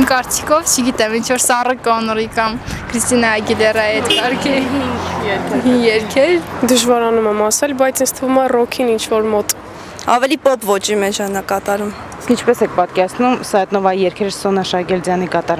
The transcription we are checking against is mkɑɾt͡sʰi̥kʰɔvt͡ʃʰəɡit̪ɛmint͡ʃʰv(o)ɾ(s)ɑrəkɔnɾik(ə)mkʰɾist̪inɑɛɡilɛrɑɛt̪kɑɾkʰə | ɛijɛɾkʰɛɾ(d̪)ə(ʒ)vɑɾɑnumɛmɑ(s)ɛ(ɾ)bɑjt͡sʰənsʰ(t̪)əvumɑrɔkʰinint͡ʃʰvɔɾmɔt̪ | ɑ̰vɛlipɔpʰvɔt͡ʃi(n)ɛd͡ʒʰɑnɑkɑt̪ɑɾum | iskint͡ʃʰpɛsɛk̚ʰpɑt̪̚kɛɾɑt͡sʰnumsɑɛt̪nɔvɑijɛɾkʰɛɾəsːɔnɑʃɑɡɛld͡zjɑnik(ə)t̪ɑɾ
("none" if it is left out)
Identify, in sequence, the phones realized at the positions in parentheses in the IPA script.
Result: ɔ, s, ɑ, d̪, ʒ, s, l, t̪ʰ, m, ɑ

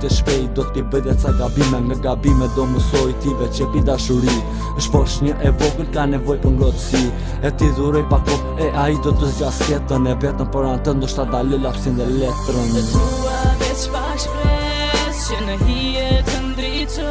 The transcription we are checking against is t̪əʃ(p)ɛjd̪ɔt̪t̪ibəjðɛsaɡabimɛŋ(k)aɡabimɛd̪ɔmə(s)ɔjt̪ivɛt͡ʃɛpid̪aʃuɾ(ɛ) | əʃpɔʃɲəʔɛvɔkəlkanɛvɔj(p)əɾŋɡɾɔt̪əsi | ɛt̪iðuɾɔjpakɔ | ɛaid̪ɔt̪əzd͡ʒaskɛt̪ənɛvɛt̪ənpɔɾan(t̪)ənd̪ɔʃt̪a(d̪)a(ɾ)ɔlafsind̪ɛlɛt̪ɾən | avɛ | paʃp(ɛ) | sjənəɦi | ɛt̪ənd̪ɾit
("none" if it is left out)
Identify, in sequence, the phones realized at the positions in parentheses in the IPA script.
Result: p, ɡ, s, i, p, t̪, d̪, l, ɛ

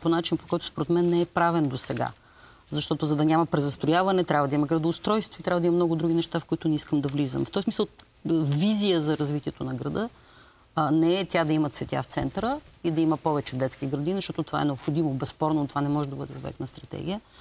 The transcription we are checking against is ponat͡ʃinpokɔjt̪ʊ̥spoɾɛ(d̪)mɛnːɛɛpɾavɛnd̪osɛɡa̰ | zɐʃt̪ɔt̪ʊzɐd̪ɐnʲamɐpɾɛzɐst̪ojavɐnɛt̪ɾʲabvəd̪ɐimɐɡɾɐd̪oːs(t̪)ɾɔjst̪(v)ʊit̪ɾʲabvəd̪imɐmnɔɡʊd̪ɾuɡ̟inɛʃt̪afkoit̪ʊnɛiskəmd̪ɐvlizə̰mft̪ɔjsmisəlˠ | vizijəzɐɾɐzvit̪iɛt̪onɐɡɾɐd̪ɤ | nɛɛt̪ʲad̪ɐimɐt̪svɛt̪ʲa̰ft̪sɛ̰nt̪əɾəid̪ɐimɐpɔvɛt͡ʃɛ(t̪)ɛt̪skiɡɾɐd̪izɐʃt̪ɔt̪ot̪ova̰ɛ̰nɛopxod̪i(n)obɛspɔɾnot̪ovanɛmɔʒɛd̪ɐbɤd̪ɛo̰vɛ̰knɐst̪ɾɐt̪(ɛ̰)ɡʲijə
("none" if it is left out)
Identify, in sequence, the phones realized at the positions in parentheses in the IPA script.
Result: t̪, t̪, v, d̪, m, ɛ̰

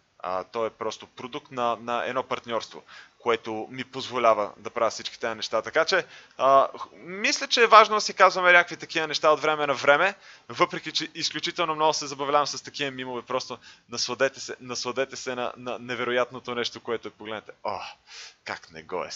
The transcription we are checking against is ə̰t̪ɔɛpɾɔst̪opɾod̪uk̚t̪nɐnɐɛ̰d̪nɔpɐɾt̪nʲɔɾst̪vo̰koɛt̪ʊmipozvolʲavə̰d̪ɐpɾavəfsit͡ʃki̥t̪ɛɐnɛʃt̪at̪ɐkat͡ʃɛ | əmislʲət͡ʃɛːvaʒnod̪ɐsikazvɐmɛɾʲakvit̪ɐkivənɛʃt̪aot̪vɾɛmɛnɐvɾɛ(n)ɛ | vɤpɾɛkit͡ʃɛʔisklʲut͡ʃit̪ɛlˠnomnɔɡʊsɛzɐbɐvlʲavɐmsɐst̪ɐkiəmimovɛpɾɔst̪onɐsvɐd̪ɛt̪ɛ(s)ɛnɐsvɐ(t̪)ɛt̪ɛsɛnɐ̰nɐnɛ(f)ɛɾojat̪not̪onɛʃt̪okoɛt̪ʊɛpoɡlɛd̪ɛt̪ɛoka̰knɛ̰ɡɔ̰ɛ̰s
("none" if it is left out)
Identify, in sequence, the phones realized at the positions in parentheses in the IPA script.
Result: m, s, d̪, v

